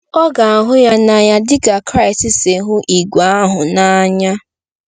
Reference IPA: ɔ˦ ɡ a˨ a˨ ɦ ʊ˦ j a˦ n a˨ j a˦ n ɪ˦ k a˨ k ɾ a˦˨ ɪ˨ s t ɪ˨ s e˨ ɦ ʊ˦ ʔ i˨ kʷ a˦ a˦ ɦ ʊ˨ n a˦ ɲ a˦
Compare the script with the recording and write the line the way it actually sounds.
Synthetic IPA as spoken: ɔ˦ ɡ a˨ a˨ ɦ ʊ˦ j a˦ n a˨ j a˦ d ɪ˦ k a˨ k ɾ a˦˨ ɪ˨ s t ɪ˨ s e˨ ɦ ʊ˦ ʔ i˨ ɡʷ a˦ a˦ ɦ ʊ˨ n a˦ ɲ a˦